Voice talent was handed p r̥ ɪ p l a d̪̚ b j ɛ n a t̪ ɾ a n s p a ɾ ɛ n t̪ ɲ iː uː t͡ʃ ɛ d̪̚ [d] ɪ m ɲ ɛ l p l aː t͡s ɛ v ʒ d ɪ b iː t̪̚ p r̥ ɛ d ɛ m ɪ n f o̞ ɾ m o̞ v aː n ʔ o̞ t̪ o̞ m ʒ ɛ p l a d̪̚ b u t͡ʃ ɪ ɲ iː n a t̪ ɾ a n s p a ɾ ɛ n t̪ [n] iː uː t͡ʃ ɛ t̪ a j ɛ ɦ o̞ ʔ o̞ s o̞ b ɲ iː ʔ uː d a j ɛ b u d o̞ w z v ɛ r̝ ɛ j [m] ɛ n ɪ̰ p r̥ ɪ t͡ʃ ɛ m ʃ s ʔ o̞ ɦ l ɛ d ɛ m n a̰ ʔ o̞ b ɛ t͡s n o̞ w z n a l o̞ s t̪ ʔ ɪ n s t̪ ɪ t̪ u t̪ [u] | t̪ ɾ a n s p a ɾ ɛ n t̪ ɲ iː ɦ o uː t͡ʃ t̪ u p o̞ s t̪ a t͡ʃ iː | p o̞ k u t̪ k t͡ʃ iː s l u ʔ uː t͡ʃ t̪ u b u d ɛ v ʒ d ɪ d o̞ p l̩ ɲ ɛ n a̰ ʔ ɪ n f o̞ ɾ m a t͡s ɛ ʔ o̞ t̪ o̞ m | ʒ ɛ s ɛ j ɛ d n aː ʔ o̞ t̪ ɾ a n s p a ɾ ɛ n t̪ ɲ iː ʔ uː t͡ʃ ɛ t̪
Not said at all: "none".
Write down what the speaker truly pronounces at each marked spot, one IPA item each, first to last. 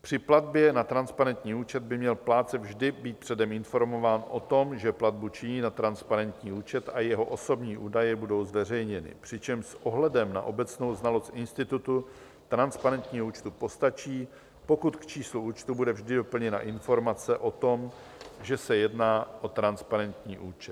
b, ɲ, ɲ, u

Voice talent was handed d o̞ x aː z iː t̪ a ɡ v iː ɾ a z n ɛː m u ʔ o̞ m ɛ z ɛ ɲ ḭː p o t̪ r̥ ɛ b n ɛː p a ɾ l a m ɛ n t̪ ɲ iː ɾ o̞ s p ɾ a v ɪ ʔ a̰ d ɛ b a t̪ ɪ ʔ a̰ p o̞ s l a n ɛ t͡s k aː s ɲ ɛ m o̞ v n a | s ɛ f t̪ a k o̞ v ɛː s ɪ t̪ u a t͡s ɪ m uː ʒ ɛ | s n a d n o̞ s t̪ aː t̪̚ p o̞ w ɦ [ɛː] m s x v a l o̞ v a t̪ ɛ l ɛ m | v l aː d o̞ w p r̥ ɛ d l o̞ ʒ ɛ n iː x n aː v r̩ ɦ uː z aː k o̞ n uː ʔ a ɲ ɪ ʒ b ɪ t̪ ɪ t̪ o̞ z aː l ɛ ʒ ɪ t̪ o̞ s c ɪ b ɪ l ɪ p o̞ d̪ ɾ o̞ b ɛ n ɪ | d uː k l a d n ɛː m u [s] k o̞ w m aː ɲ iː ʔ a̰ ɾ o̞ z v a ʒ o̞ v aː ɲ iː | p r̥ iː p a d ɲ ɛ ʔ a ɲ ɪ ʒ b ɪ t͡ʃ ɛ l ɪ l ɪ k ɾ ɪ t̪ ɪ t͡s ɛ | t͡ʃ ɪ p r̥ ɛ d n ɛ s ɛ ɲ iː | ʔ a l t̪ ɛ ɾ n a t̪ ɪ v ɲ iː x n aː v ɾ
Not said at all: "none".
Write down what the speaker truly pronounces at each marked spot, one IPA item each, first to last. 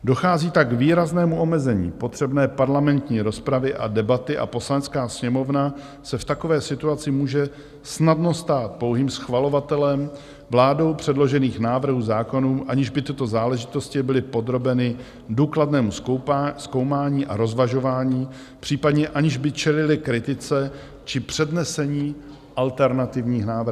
iː, s

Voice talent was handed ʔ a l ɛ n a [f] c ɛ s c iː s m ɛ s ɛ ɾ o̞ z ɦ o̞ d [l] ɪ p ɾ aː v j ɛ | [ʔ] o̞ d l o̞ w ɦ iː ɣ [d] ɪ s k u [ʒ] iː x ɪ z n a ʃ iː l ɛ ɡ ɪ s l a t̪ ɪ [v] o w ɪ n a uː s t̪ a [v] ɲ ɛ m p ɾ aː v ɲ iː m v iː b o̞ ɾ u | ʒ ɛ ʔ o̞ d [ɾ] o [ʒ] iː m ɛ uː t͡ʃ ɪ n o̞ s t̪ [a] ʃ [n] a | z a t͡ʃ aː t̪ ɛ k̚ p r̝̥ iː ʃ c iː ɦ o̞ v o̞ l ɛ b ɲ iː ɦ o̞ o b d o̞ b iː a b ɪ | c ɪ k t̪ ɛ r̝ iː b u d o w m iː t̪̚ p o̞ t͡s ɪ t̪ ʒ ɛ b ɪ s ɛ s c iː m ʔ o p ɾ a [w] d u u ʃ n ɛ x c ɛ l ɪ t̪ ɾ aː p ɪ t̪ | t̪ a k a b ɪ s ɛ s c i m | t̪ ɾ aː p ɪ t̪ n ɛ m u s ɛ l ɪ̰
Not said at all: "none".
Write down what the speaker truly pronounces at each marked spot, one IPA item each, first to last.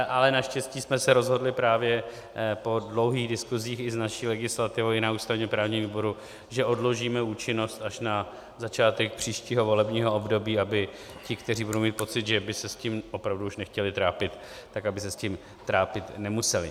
ʃ, l, p, d, z, v, v, l, ʒ, a, n, v

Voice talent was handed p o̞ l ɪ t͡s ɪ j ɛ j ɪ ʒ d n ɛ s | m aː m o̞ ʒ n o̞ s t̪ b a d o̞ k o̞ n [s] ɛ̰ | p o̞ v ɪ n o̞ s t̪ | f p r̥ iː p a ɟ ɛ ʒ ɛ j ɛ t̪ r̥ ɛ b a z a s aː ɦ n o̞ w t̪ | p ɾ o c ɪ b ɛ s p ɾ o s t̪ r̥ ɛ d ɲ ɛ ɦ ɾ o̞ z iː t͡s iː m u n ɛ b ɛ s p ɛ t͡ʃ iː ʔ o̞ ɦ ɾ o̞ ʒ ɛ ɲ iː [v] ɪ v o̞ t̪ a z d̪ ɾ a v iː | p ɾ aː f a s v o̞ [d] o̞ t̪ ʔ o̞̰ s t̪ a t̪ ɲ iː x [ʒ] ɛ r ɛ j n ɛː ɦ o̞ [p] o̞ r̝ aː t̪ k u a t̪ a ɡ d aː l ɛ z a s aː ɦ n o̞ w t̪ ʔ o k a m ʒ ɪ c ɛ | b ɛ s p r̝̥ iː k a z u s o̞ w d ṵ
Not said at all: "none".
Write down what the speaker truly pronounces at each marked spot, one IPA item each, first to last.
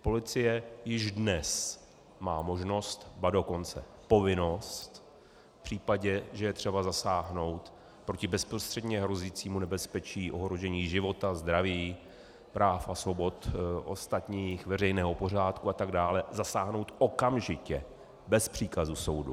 t͡s, ʒ, b, v, p

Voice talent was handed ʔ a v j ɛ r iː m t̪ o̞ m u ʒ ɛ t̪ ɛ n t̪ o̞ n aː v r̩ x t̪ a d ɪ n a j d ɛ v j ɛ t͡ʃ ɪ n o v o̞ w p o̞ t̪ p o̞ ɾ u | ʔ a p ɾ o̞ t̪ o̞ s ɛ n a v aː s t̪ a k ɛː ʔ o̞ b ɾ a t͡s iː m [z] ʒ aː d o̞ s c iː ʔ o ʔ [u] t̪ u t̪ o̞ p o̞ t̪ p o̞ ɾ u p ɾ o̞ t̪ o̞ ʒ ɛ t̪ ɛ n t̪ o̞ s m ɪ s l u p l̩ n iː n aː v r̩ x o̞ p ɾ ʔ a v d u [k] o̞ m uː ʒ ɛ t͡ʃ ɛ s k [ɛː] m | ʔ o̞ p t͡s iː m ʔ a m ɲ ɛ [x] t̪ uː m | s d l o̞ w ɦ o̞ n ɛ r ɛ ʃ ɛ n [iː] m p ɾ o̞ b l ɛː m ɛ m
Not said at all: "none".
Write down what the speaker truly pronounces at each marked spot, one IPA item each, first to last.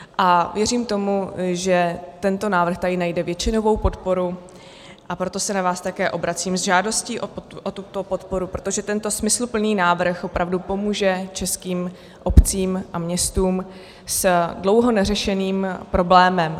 z, o, p, iː, s, iː

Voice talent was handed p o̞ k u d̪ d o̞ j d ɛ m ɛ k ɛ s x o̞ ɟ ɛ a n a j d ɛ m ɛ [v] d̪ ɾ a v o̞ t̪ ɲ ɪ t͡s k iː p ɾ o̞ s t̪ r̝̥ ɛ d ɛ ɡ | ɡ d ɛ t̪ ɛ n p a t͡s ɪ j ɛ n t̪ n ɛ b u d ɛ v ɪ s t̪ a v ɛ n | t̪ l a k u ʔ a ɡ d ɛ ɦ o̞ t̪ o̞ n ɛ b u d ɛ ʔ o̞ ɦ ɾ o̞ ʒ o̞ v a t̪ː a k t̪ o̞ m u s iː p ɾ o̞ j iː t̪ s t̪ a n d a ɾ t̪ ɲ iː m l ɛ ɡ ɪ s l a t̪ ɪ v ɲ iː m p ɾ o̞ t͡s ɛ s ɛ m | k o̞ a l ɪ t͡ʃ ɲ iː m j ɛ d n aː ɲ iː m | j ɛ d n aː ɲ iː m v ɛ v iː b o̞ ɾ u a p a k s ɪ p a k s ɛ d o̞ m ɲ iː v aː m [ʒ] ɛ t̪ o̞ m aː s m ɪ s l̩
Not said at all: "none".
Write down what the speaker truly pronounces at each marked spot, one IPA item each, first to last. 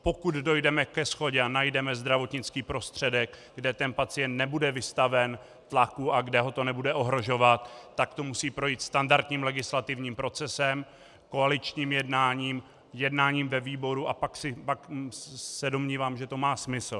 z, ʒ

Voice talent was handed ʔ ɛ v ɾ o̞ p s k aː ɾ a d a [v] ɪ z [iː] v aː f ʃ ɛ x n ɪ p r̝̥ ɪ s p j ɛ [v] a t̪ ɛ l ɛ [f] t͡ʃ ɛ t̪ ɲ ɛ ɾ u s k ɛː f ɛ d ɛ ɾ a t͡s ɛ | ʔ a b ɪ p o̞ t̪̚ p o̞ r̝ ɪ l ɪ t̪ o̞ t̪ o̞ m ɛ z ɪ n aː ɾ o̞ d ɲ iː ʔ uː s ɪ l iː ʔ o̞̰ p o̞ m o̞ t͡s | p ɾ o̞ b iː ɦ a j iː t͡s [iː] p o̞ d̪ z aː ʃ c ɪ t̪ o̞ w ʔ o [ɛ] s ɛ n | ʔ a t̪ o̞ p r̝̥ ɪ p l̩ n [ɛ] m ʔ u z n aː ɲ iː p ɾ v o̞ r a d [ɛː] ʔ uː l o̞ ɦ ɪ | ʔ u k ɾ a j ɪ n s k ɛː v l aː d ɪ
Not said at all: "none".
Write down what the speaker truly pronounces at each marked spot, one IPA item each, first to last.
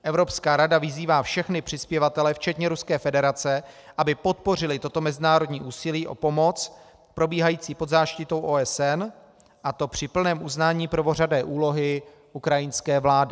v, iː, v, f, iː, ɛ, ɛː, ɛː

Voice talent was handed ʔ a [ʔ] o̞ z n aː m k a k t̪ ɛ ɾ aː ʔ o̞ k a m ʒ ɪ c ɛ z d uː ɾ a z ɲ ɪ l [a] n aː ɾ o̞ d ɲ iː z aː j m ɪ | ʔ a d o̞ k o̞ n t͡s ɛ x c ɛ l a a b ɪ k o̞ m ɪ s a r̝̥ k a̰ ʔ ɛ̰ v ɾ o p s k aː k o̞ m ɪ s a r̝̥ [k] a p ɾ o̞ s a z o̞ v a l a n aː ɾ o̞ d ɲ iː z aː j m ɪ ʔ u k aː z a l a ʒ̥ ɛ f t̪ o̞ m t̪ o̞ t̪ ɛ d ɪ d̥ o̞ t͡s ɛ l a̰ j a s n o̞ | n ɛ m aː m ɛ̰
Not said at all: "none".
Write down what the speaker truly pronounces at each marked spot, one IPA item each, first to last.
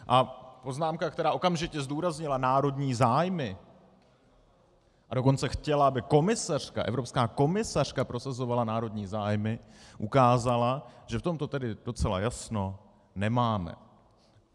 p, a, k

